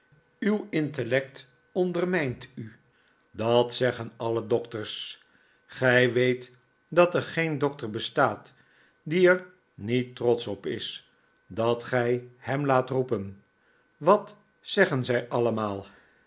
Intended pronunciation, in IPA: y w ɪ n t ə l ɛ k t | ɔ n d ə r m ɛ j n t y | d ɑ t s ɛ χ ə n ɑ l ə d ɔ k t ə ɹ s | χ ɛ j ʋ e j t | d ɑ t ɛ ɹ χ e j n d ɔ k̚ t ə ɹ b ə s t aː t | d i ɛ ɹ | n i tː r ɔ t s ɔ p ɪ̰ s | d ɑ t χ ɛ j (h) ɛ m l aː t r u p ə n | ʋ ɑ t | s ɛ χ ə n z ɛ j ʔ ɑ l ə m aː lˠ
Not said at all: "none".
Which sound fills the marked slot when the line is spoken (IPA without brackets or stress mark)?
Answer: h